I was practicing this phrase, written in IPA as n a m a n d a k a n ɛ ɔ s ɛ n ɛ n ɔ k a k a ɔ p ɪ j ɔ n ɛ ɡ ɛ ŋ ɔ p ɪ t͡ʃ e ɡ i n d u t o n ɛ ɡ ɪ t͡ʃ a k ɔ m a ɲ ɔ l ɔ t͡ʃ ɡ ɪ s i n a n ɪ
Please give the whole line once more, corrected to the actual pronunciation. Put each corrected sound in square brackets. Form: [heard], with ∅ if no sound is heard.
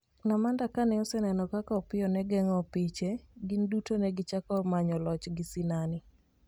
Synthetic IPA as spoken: n a m a n d a k a n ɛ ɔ s ɛ n ɛ n ɔ k a k a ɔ p ɪ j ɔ n ɛ ɡ ɛ ŋ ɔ p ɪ t͡ʃ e ɡ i n d u t o n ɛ ɡ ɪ t͡ʃ a k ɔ m a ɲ ɔ l ɔ t͡ʃ ɡ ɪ s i n a n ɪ